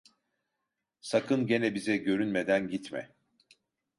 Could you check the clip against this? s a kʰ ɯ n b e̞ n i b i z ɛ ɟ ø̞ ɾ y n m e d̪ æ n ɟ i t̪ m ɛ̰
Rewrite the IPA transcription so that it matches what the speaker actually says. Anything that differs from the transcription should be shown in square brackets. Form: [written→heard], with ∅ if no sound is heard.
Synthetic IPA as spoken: s a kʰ ɯ n [b→ɟ] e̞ n [i→ɛ] b i z ɛ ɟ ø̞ ɾ y n m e d̪ æ n ɟ i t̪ m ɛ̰

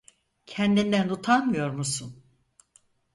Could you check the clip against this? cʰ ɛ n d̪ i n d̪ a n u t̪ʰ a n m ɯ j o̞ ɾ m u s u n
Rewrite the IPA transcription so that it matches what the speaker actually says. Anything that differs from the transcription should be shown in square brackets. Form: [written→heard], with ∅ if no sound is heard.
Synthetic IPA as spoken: cʰ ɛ n d̪ i n d̪ [a→æ] n u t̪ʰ a n m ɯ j o̞ ɾ m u s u n

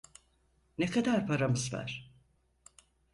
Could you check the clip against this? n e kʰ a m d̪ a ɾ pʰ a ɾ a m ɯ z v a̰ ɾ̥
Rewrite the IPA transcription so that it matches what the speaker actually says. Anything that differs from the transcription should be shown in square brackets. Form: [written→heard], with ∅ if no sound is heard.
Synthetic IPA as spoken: n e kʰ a [m→∅] d̪ a ɾ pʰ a ɾ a m ɯ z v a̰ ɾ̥

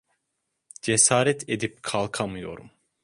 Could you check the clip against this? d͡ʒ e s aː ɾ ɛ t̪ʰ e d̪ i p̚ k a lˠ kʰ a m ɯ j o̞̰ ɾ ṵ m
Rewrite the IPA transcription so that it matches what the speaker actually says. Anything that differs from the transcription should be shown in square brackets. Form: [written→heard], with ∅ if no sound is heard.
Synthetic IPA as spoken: d͡ʒ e s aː ɾ ɛ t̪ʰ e d̪ i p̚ [k→kʰ] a lˠ kʰ a m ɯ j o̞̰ ɾ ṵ m

